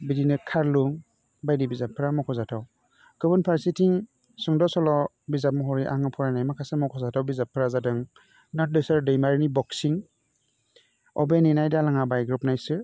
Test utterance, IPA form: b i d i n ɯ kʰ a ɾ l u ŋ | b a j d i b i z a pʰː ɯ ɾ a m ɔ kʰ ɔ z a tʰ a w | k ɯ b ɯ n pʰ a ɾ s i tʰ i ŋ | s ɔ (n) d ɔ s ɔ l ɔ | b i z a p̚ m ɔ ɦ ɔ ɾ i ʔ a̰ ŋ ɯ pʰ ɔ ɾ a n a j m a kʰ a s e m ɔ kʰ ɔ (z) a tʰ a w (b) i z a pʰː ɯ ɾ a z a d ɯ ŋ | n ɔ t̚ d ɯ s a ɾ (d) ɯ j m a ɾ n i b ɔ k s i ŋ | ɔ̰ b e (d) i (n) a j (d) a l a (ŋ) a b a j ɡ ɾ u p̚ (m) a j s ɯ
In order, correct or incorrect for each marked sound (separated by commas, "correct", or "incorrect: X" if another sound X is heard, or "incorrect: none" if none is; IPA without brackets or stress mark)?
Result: incorrect: ŋ, correct, correct, correct, incorrect: n, correct, correct, correct, incorrect: n